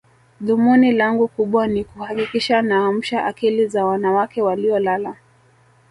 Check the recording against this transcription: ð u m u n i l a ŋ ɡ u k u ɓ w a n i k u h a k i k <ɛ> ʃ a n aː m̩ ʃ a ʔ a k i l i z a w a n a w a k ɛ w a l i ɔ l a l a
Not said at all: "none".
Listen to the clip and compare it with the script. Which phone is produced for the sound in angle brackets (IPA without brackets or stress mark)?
i